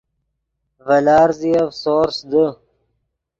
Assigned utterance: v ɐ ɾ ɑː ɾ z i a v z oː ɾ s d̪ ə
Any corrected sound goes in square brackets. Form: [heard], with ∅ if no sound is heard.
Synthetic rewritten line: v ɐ [l] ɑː ɾ z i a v [s] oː ɾ s d̪ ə